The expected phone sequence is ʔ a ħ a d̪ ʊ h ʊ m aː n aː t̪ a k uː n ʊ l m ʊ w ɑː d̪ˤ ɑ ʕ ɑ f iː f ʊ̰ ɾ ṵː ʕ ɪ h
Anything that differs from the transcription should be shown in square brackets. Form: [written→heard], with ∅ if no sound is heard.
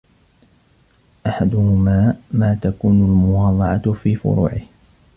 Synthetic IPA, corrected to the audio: ʔ a ħ a d̪ ʊ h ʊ m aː [n→m] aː t̪ a k uː n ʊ l m ʊ w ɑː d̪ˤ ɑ ʕ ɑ f iː f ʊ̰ ɾ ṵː ʕ ɪ h